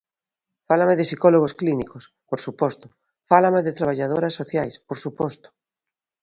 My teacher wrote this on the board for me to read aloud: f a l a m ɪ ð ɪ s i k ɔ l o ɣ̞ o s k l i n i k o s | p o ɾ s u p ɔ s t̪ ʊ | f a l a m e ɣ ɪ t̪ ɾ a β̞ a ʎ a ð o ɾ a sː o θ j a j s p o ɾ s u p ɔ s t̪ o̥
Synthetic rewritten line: f a l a m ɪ ð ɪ s i k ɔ l o ɣ̞ o s k l i n i k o s | p o ɾ s u p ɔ s t̪ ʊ | f a l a m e ð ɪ t̪ ɾ a β̞ a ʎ a ð o ɾ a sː o θ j a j s p o ɾ s u p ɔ s t̪ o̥